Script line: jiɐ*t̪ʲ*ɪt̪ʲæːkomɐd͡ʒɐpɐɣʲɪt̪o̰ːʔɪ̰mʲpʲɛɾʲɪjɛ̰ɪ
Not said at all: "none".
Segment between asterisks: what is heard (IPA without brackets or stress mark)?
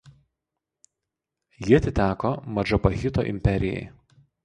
t̪ʲ